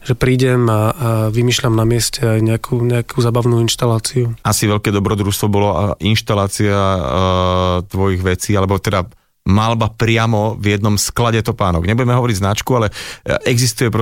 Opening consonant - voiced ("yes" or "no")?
yes